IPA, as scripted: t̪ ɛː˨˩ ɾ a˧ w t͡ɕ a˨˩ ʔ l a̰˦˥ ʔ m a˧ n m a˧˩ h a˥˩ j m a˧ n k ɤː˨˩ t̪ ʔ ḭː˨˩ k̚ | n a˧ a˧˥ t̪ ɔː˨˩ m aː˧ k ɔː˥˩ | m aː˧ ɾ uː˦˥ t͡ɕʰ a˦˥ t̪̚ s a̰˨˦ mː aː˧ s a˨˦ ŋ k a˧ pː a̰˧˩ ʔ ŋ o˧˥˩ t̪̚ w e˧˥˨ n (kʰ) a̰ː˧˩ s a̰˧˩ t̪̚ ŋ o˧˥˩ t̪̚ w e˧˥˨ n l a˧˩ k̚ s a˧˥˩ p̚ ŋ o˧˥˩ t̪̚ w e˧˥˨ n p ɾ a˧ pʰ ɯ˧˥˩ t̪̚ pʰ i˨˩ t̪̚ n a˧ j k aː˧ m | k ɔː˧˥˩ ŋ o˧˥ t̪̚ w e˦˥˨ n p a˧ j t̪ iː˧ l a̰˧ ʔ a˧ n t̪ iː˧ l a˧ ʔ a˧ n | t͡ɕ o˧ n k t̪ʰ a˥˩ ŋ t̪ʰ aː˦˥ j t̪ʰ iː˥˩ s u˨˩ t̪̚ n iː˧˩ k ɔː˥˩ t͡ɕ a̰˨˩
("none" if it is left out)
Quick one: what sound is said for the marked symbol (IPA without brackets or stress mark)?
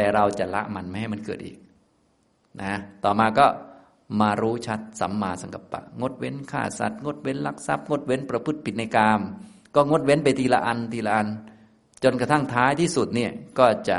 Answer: kʰ